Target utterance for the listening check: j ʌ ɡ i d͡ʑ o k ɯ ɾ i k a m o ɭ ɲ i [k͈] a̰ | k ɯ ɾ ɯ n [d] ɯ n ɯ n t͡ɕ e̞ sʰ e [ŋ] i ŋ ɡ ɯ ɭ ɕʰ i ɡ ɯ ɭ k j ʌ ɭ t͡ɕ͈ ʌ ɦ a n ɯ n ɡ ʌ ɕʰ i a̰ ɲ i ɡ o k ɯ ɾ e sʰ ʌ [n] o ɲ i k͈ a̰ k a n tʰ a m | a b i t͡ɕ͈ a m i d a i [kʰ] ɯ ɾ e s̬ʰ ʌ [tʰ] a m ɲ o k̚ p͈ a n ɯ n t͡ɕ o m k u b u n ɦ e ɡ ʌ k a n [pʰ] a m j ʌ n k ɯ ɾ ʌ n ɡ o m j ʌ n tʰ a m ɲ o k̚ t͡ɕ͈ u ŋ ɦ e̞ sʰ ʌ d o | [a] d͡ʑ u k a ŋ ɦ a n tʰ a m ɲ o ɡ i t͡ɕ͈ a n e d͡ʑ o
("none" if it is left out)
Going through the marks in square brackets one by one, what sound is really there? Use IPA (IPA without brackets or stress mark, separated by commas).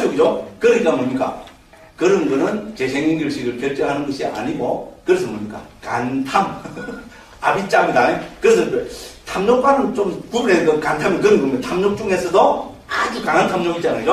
k͈, ɡ, ŋ, m, k, tʰ, tʰ, a